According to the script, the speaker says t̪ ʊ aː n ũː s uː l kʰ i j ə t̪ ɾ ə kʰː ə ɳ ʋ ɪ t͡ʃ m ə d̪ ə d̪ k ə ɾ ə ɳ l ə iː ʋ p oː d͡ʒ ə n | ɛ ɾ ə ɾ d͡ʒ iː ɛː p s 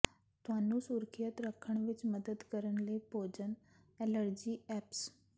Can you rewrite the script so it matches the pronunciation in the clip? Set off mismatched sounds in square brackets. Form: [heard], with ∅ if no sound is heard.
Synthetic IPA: t̪ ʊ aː n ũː s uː [ɾ] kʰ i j ə t̪ ɾ ə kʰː ə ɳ ʋ ɪ t͡ʃ m ə d̪ ə d̪ k ə ɾ ə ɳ l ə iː [∅] p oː d͡ʒ ə n | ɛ [l] ə ɾ d͡ʒ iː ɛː p s